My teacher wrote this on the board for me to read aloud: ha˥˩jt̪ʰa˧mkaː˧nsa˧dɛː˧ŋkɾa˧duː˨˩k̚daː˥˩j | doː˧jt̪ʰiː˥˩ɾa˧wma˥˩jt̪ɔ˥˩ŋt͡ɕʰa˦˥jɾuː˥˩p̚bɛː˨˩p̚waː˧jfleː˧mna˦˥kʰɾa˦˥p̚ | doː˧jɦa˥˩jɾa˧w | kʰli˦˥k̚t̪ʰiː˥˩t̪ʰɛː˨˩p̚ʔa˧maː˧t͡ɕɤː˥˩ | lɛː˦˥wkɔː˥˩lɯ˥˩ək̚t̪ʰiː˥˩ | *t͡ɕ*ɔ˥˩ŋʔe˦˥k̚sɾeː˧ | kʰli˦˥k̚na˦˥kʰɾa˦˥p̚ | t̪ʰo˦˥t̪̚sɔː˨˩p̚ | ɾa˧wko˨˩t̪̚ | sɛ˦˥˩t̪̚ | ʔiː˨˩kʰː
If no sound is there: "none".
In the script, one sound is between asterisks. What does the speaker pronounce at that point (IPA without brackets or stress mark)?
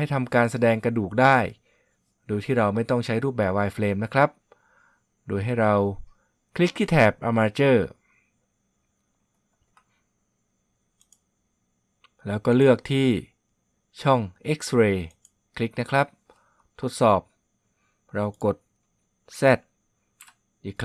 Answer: t͡ɕʰ